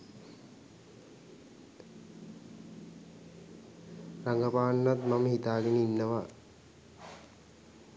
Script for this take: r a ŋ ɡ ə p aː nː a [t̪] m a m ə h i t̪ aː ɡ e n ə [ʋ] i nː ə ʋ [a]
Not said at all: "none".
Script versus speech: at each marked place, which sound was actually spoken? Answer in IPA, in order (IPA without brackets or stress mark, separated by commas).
t̪, none, a